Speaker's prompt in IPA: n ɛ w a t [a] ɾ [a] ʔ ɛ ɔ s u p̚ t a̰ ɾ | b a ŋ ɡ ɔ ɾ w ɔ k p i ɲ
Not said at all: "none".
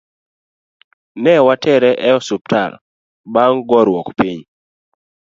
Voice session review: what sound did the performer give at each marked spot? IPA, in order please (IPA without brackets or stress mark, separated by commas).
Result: ɛ, ɛ